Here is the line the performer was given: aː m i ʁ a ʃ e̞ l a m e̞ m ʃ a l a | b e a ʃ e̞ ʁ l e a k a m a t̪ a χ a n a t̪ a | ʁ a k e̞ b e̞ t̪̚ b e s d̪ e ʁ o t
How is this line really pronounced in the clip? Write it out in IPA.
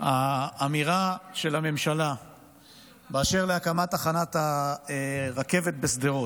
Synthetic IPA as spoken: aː m i ʁ a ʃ e̞ l a m e̞ m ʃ a l a | b e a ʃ e̞ ʁ l e a k a m a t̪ a χ a n a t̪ a | ʁ a k e̞ v e̞ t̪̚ b e s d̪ e ʁ o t